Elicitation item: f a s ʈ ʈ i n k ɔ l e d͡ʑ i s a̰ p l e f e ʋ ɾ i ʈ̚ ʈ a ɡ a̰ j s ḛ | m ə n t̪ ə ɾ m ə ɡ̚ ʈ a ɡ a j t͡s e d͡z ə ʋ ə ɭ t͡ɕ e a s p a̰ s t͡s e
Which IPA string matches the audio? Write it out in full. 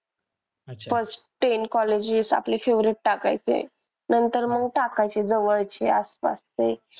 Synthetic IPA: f ə s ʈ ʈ e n k ɔ l e d͡ʑ i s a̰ p l e f e ʋ ɾ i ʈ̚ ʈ a k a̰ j t͡s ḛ | n ə n t̪ ə ɾ m ə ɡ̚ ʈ a k a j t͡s e d͡z ə ʋ ə ɭ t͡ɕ e a s p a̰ s t͡s e